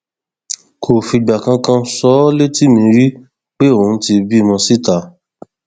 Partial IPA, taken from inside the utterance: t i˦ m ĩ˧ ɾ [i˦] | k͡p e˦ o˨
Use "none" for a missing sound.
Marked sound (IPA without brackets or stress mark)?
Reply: i˦